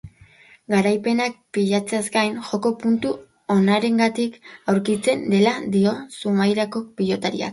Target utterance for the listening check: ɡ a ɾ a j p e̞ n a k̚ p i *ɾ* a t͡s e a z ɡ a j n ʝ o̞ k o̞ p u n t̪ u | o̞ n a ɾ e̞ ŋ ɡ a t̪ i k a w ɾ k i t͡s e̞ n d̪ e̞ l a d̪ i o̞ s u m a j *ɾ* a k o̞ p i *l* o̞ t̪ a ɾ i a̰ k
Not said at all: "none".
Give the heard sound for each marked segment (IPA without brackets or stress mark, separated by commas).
ʎ, ɾ, ʎ